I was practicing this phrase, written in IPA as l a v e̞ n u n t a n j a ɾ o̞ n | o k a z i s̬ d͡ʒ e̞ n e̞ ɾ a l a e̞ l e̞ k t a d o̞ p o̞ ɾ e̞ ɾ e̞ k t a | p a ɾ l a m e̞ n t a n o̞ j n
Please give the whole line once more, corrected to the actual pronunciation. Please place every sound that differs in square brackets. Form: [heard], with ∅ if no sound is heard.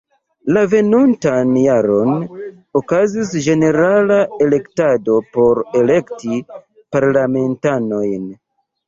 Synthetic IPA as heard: l a v e̞ n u n t a n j a ɾ o̞ n | o k a z i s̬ d͡ʒ e̞ n e̞ ɾ a l a e̞ l e̞ k t a d o̞ p o̞ ɾ e̞ [l] e̞ k t [i] | p a ɾ l a m e̞ n t a n o̞ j n